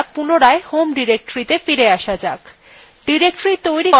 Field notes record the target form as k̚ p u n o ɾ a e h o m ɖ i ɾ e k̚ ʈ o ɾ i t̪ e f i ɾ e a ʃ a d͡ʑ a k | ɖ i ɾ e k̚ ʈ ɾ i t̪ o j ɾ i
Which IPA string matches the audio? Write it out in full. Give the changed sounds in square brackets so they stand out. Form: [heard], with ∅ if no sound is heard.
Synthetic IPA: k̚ p u n o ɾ a e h o m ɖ i ɾ e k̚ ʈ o ɾ i t̪ e f i ɾ e a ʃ a d͡ʑ a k | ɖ i ɾ e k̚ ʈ ɾ i t̪ o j ɾ i